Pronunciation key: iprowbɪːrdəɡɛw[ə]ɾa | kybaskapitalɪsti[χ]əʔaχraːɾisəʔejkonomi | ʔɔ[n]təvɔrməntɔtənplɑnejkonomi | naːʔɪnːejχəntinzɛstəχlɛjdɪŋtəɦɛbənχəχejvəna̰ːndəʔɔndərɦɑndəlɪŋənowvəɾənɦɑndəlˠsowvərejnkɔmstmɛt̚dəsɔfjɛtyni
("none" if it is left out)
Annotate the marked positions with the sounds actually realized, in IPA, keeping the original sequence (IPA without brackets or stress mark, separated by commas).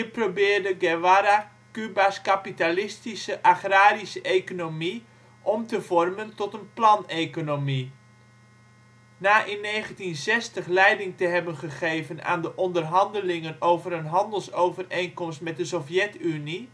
a, s, m